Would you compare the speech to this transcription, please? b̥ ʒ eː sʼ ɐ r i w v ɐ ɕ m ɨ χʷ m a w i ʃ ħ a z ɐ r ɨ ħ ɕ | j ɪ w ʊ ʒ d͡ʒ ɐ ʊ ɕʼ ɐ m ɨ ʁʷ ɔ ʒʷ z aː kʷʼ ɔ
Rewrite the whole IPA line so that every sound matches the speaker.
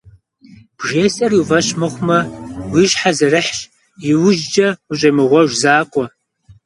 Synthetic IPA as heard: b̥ ʒ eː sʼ ɐ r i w v ɐ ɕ m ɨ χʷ m ɐ w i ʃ ħ a z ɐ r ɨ ħ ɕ | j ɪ w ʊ ʒ d͡ʒ ɐ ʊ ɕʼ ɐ m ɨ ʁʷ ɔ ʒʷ z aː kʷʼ ɔ